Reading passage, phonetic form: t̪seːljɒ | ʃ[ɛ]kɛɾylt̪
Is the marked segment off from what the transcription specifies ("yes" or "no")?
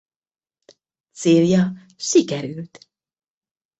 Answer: yes